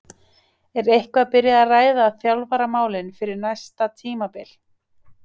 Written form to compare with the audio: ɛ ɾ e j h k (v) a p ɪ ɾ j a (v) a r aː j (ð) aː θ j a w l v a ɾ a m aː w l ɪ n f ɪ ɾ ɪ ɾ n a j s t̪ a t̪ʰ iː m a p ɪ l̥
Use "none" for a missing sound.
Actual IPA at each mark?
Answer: v, ð, ð

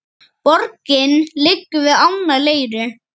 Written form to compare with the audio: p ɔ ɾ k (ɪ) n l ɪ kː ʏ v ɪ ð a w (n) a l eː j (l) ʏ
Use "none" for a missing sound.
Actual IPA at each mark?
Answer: ɪ, n, ɾ

